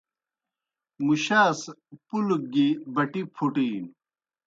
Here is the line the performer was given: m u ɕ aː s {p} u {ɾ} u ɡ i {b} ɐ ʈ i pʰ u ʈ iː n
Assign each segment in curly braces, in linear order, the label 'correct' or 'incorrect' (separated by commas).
correct, incorrect, correct